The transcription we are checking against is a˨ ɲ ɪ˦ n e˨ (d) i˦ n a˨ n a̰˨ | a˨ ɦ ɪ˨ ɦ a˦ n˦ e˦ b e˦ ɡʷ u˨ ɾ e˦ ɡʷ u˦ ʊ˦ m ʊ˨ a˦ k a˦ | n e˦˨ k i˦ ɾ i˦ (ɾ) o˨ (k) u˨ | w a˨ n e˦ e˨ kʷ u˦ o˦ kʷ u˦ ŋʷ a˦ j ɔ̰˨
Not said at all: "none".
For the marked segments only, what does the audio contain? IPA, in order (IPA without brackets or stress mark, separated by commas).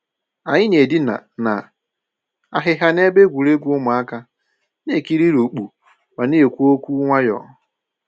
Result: d, ɾ, k͡p